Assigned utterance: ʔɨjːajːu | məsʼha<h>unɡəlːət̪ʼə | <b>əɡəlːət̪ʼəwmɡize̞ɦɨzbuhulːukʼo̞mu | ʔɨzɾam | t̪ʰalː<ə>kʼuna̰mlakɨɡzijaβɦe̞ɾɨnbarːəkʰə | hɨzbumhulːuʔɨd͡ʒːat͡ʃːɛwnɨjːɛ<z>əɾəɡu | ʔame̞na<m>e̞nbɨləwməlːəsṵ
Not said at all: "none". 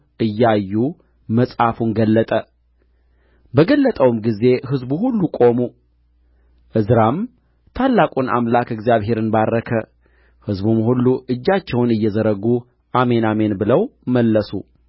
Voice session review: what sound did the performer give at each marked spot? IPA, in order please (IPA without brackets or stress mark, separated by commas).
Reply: f, b, a, z, m